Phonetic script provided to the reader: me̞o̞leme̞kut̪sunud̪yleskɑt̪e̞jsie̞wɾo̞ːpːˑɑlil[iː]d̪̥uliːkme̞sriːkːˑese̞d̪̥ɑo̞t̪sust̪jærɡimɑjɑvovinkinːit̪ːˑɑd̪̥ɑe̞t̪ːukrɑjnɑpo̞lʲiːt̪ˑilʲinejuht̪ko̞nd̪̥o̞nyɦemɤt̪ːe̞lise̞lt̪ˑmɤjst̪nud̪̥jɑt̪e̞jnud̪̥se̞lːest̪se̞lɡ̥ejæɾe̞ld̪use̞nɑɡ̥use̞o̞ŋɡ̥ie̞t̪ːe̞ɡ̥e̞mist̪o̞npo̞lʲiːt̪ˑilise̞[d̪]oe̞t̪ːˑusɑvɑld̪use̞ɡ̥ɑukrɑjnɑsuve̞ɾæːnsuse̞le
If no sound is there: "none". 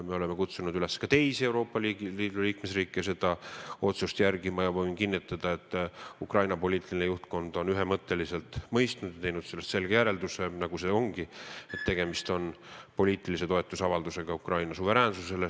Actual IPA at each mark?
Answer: iː, t̪

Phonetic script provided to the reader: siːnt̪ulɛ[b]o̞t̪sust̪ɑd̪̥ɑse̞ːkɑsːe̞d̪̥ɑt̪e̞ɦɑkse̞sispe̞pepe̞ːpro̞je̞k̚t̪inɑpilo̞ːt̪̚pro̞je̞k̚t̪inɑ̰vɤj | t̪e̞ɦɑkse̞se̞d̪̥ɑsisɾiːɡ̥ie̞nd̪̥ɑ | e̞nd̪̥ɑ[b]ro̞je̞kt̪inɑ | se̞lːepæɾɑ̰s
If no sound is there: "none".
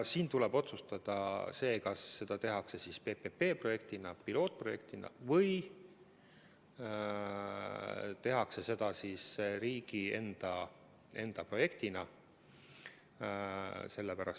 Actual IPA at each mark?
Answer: b, p

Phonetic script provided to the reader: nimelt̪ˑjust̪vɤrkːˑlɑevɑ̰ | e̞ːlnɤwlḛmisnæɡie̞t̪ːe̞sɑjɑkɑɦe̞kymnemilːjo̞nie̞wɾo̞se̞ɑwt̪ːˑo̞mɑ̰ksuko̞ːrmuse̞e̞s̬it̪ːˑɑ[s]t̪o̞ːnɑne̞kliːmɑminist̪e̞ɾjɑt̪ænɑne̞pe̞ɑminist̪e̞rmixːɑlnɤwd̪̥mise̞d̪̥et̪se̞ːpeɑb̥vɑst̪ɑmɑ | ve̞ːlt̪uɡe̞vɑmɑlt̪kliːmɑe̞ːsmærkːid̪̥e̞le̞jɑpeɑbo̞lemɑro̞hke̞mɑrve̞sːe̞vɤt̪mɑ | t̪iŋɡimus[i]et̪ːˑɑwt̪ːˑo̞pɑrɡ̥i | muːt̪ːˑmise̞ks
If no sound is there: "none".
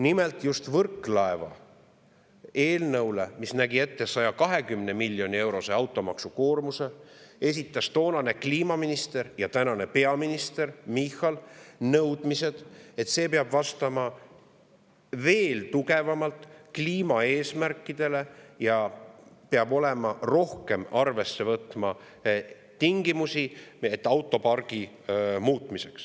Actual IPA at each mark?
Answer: s, i

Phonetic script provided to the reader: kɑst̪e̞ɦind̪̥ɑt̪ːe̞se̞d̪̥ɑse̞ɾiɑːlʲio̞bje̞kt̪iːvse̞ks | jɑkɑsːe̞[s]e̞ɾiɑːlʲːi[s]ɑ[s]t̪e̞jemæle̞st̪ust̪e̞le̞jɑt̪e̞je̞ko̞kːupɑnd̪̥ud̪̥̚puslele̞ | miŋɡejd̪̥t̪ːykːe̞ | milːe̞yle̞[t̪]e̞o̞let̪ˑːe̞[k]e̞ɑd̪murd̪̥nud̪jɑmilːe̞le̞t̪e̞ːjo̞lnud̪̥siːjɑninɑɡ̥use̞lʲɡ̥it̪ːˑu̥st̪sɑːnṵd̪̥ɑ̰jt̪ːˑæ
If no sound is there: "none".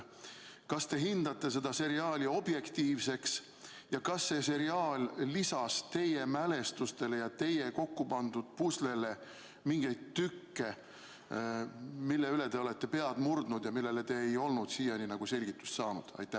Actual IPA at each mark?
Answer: s, s, s, t̪, p

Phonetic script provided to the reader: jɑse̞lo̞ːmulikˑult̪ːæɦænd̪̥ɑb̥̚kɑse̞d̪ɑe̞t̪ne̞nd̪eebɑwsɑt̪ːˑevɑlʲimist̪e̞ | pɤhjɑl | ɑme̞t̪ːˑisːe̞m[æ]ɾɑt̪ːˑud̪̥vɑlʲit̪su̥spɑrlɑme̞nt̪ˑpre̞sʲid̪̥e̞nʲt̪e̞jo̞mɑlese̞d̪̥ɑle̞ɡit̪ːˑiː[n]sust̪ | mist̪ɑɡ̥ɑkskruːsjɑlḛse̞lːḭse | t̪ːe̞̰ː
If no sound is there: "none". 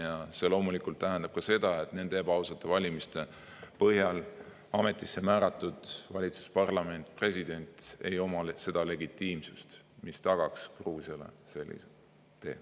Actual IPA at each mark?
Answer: æː, m

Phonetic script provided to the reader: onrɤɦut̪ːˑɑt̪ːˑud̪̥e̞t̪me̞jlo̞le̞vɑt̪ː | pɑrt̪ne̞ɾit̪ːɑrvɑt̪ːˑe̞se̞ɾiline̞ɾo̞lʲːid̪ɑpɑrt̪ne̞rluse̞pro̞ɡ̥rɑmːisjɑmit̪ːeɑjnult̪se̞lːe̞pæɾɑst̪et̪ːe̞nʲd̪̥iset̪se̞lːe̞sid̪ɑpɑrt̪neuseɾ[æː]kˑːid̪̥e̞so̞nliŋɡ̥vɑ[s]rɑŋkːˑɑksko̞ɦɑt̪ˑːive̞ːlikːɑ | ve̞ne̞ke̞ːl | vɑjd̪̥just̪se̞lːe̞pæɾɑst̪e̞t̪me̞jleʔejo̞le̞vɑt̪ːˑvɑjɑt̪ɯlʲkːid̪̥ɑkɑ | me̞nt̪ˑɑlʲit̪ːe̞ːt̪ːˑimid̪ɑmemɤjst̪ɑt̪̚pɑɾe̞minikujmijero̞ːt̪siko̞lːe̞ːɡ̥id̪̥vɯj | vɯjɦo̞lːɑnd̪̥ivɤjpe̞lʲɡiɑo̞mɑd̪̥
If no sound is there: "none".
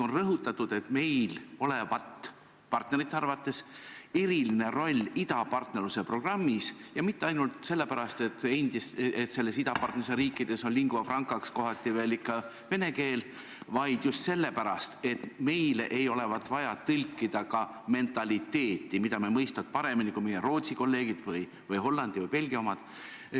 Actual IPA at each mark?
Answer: iː, f

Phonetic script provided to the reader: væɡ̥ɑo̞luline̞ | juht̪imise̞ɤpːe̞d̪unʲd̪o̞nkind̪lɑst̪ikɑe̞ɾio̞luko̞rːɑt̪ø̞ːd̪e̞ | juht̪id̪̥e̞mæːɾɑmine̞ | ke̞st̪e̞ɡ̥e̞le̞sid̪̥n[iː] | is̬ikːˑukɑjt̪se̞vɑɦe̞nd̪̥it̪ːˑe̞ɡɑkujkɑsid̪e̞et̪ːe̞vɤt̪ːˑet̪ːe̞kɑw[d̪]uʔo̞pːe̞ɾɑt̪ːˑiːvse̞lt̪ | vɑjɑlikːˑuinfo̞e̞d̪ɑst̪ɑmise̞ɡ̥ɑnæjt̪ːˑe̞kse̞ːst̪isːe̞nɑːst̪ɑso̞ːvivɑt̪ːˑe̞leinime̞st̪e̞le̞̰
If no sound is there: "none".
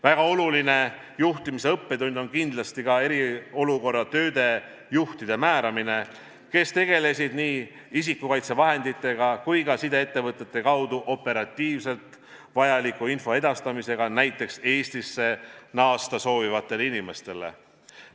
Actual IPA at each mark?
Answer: iː, d̪

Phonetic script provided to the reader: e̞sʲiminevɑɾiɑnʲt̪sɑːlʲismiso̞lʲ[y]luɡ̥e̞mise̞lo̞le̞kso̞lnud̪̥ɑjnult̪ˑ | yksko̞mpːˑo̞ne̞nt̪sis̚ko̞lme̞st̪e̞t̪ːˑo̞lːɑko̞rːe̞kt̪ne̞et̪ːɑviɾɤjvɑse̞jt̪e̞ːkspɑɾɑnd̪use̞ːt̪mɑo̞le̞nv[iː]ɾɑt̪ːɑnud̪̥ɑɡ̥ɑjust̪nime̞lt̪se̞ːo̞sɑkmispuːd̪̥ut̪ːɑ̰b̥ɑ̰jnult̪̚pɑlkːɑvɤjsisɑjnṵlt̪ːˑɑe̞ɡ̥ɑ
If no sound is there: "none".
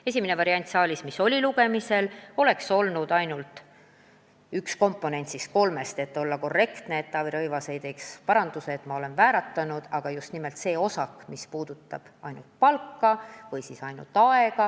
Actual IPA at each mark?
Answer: i, æː

